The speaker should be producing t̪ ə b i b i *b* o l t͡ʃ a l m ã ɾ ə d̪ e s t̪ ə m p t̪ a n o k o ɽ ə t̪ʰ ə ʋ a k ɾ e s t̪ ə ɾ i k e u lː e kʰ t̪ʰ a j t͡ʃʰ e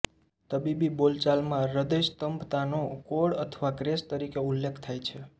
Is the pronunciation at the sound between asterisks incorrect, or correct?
correct